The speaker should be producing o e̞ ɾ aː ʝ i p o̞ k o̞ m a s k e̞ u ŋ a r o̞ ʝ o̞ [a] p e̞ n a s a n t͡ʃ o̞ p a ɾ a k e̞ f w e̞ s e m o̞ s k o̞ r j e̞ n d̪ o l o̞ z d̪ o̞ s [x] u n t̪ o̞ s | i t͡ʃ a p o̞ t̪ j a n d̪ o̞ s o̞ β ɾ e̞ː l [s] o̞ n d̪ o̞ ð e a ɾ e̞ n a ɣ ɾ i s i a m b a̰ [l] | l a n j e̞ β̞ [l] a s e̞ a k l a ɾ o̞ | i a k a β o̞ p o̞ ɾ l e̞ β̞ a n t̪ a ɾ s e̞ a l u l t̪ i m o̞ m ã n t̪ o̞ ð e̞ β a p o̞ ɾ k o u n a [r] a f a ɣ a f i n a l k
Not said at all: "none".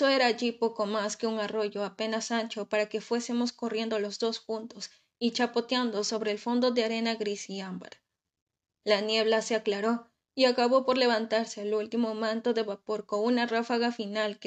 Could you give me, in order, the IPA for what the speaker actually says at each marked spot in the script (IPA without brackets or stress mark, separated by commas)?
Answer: a, x, f, ɾ, l, r